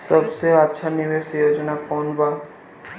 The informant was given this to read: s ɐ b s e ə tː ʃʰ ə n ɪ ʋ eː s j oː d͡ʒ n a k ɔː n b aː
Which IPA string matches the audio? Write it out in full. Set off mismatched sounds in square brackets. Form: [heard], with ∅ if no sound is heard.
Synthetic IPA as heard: s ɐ b s e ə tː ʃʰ [a] n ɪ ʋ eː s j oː d͡ʒ n a k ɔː n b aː